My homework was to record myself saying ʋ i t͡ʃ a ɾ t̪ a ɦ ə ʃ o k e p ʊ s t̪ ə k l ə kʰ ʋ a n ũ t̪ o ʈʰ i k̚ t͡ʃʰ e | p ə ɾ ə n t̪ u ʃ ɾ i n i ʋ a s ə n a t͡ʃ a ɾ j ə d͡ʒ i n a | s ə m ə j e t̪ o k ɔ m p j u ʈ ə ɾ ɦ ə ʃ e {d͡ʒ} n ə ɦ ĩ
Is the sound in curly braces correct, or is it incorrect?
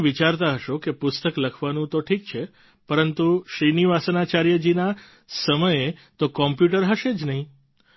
correct